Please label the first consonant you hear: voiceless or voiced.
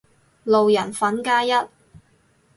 voiced